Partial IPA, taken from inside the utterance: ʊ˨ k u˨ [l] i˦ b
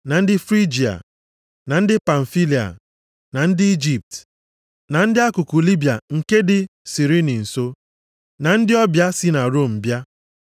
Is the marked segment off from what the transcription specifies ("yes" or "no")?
no